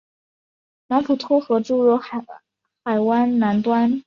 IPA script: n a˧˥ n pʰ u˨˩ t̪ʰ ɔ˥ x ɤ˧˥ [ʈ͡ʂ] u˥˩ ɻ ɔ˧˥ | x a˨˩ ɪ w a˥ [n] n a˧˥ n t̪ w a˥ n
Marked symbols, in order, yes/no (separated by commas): yes, yes